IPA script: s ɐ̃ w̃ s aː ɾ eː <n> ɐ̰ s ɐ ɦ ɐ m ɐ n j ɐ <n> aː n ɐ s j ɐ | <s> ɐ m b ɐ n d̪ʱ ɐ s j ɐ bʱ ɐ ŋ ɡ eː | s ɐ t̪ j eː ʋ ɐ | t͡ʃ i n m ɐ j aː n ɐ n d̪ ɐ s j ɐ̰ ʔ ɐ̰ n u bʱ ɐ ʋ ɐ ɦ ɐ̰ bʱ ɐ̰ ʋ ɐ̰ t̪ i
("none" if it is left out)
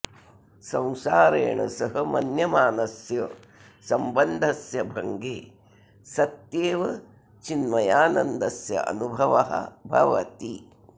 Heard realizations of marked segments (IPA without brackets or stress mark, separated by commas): ɳ, m, s